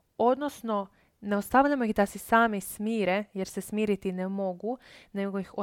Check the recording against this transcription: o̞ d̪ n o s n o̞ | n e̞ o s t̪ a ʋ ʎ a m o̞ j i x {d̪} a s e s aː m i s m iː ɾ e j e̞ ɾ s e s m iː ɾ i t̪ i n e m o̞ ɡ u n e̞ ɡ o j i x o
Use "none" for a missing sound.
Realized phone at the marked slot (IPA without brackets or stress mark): d̪